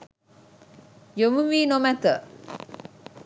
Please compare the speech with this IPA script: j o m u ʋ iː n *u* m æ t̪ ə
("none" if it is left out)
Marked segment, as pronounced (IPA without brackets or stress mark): o